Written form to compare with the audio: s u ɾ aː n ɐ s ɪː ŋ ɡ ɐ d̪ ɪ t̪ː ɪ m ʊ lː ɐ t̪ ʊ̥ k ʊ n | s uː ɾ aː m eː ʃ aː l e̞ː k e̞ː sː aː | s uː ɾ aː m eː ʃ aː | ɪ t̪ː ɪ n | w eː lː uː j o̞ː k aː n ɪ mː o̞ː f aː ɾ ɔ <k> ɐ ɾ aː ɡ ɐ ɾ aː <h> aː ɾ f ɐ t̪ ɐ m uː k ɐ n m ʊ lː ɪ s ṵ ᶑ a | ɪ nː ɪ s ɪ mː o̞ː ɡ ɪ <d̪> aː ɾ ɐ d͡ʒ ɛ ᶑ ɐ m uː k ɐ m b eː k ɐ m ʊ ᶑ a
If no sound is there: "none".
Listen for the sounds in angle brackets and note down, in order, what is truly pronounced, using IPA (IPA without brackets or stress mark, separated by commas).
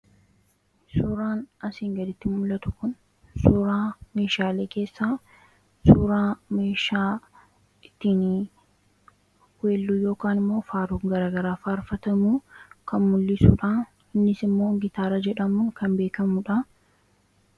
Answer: ɡ, f, t̪